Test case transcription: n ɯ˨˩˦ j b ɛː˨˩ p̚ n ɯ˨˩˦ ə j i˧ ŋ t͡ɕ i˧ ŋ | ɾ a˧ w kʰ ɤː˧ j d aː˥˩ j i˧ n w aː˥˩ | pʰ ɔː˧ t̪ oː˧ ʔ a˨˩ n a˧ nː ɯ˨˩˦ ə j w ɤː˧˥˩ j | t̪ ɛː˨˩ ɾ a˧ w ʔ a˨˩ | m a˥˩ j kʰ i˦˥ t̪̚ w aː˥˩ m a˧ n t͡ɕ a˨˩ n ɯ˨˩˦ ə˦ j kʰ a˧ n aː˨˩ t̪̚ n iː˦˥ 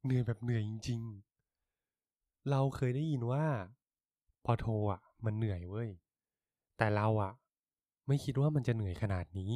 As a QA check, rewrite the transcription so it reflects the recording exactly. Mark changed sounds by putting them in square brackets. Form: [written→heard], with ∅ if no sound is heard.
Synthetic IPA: n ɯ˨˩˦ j b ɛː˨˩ p̚ n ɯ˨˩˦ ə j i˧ ŋ t͡ɕ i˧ ŋ | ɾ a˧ w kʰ ɤː˧ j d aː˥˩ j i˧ n w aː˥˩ | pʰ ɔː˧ [t̪→t̪ʰ] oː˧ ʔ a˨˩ [n→m] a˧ nː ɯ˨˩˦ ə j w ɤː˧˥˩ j | t̪ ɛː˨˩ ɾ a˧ w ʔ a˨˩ | m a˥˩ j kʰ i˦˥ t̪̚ w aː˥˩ m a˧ n t͡ɕ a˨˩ n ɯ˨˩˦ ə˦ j kʰ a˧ n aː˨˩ t̪̚ n iː˦˥